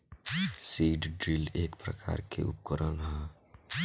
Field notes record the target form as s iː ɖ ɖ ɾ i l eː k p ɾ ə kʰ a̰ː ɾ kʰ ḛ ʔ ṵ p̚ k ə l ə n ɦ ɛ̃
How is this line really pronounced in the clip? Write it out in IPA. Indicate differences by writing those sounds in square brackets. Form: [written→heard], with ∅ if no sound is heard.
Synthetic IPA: s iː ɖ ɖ ɾ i l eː k p ɾ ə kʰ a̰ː ɾ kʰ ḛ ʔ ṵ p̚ k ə [l→ɾ] ə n ɦ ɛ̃